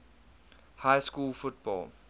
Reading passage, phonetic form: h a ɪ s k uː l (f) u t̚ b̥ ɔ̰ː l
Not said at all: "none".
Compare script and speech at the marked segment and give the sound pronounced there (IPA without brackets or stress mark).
f